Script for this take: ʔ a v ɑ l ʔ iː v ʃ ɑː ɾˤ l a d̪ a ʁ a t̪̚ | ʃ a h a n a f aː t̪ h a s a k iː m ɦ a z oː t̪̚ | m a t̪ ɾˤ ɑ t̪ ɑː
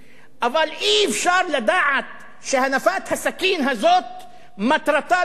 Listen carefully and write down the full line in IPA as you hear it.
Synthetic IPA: ʔ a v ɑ l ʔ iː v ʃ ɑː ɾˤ l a d̪ a ʕ a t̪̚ | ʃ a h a n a f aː t̪ h a s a k iː n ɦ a z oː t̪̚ | m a t̪ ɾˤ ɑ t̪ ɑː